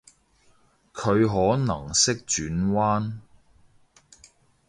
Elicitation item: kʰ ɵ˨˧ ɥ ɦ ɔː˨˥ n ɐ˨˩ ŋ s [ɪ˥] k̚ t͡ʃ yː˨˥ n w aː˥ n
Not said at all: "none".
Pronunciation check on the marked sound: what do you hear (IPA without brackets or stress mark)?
ɪ˥